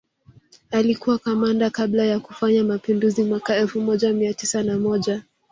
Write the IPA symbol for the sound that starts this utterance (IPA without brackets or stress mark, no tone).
a